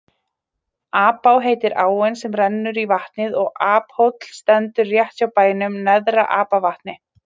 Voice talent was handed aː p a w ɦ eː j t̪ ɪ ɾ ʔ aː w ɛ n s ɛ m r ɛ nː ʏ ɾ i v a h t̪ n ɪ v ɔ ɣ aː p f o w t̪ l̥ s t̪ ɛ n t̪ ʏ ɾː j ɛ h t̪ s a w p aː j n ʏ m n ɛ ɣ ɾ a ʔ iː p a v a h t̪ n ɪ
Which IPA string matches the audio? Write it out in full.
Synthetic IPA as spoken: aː p a w ɦ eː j t̪ ɪ ɾ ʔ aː w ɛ n s ɛ m r ɛ nː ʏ ɾ i v a h t̪ n ɪ ð ɔ ɣ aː p h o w t̪ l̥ s t̪ ɛ n t̪ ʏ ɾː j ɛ h t̪ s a w p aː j n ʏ m n ɛ ð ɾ a ʔ aː p a v a h t̪ n ɪ